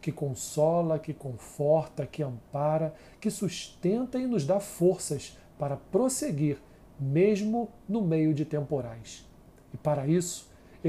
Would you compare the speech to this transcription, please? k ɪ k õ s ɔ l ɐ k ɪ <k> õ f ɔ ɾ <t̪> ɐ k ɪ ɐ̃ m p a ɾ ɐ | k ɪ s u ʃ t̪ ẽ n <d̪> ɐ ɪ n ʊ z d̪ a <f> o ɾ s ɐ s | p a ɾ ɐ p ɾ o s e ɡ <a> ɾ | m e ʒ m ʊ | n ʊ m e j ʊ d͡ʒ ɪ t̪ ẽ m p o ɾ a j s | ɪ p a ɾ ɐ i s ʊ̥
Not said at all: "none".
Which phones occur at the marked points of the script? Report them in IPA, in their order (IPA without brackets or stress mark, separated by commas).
k, t̪, t̪, f, i